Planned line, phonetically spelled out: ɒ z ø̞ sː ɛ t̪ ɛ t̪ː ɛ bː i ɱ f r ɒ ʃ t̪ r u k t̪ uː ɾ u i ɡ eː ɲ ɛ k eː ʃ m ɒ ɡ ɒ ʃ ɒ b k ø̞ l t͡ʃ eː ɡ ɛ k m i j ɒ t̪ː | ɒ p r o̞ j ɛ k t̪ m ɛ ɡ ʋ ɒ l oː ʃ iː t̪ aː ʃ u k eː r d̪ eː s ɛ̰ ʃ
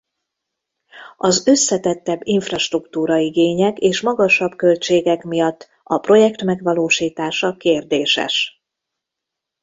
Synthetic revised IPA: ɒ z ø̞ sː ɛ t̪ ɛ t̪ː ɛ bː i ɱ f r ɒ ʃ t̪ r u k t̪ uː ɾ ɒ i ɡ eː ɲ ɛ k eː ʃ m ɒ ɡ ɒ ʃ ɒ b k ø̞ l t͡ʃ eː ɡ ɛ k m i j ɒ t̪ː | ɒ p r o̞ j ɛ k t̪ m ɛ ɡ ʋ ɒ l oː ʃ iː t̪ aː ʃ ɒ k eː r d̪ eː ʃ ɛ̰ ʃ